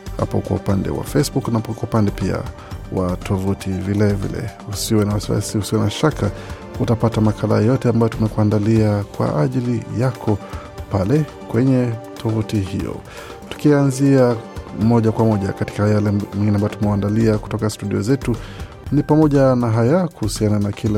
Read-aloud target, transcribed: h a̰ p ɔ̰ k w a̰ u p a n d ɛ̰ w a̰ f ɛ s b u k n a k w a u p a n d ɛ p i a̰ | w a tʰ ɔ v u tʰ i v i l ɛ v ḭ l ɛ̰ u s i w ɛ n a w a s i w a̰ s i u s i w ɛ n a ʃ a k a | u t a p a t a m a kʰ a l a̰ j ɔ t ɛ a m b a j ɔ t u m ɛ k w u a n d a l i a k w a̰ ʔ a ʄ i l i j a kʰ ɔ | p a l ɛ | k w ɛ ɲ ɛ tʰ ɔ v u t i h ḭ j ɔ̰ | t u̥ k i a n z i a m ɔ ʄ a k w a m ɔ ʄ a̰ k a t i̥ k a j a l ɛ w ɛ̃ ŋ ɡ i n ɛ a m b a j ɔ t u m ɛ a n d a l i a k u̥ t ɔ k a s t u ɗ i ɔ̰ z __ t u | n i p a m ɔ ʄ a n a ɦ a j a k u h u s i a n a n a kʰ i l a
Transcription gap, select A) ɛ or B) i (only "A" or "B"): A